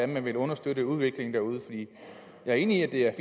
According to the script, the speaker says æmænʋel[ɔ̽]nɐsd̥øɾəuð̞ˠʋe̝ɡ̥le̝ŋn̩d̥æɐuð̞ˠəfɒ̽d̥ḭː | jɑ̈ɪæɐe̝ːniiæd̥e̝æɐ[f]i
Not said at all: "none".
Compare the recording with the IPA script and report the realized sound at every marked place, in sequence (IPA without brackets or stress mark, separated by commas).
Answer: ɔ̽, f